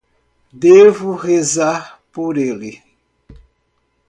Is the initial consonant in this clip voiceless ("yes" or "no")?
no